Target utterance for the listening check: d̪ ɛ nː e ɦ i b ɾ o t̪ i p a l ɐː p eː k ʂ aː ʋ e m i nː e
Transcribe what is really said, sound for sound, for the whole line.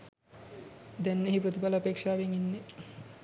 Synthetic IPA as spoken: d̪ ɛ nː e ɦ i p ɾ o t̪ i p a l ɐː p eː k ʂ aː ʋ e ŋ i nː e